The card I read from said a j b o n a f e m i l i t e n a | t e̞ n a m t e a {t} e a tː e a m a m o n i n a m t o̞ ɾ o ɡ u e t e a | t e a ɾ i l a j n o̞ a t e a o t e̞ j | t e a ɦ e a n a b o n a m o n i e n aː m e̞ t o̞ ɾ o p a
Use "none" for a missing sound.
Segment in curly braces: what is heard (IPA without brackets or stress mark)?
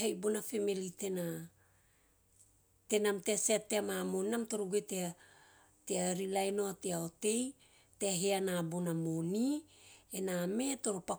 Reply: s